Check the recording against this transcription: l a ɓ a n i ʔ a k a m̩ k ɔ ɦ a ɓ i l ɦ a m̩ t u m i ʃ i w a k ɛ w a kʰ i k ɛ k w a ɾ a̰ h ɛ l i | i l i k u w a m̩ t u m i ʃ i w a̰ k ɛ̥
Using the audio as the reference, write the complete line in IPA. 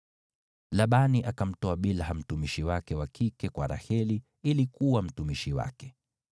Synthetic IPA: l a ɓ a n i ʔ a k a m̩ t ɔ a ɓ i l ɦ a m̩ t u m i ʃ i w a k ɛ w a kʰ i k ɛ k w a ɾ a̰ h ɛ l i | i l i k u w a m̩ t u m i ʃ i w a̰ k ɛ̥